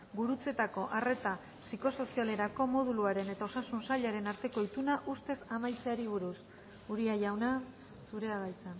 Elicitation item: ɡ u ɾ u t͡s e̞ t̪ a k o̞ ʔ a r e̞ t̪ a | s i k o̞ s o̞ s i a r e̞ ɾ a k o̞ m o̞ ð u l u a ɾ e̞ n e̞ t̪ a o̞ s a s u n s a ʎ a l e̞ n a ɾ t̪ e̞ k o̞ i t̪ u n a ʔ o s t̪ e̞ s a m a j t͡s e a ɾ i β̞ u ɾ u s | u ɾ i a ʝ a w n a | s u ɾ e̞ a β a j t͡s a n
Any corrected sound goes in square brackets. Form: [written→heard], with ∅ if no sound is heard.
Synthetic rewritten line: ɡ u ɾ u t͡s e̞ t̪ a k o̞ ʔ a r e̞ t̪ a | s i k o̞ s o̞ s i a [r→l] e̞ ɾ a k o̞ m o̞ ð u l u a ɾ e̞ n e̞ t̪ a o̞ s a s u n s a ʎ a [l→ɾ] e̞ n a ɾ t̪ e̞ k o̞ i t̪ u n a ʔ [o→u] s t̪ e̞ s a m a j t͡s e a ɾ i β̞ u ɾ u s | u ɾ i a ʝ a w n a | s u ɾ e̞ a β a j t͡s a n